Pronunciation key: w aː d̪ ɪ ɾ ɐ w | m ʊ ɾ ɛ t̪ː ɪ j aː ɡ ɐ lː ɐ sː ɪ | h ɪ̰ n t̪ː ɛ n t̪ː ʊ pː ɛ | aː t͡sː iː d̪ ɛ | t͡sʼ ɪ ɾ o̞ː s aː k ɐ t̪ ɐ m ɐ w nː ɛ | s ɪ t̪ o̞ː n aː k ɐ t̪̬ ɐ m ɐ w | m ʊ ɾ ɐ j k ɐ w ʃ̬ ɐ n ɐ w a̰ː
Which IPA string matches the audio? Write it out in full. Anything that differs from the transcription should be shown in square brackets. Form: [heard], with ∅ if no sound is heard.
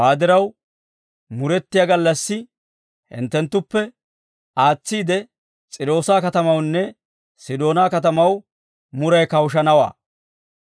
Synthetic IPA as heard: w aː d̪ ɪ ɾ ɐ w | m ʊ ɾ ɛ t̪ː ɪ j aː ɡ ɐ lː ɐ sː ɪ | h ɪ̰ n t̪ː ɛ n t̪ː ʊ pː ɛ | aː t͡sː iː d̪ ɛ | t͡sʼ ɪ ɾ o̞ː s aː k ɐ t̪ ɐ m ɐ w nː ɛ | s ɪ [d̪] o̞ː n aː k ɐ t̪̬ ɐ m ɐ w | m ʊ ɾ ɐ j k ɐ w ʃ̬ ɐ n ɐ w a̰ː